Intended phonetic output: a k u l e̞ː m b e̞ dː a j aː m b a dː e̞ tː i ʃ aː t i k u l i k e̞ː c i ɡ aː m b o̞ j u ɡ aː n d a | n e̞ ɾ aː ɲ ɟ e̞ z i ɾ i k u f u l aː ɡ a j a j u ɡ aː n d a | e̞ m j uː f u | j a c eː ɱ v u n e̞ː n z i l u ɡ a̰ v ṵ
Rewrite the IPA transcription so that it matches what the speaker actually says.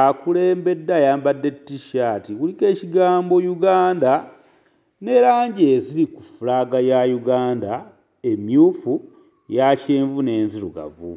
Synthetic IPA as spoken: a k u l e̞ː m b e̞ dː a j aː m b a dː e̞ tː i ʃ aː t i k u l i k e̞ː c i ɡ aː m b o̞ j u ɡ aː n d a | n e̞ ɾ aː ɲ ɟ e̞ z i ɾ i k u f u l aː ɡ a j a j u ɡ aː n d a | e̞ m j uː f u | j a c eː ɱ v u n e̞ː n z i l u ɡ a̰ v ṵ